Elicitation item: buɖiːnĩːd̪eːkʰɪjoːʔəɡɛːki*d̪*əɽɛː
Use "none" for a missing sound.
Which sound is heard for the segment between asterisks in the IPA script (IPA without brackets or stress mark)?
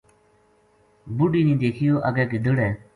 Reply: d̪